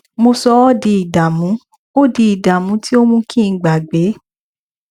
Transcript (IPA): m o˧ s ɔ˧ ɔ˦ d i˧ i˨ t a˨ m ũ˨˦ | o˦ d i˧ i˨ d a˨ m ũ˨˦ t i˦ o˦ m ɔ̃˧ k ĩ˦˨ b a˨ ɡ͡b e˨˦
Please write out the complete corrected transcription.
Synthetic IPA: m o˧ s ɔ˧ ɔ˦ d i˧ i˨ d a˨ m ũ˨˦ | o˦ d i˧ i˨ d a˨ m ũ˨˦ t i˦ o˦ m ũ˧ k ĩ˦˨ ɡ͡b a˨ ɡ͡b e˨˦